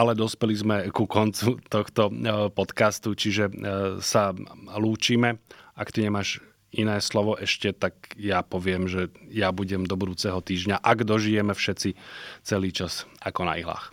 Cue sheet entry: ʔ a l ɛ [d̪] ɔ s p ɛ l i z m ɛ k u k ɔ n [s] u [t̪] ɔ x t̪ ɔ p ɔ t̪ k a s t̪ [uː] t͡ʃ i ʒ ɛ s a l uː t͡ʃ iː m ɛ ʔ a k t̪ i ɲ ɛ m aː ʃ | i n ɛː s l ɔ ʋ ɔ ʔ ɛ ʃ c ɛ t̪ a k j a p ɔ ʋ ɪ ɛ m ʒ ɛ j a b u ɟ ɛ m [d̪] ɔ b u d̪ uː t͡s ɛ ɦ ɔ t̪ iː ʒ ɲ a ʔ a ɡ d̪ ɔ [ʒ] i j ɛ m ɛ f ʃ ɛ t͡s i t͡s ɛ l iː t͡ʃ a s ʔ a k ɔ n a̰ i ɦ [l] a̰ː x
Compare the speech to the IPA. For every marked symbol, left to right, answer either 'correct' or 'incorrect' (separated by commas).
correct, incorrect, correct, incorrect, correct, correct, correct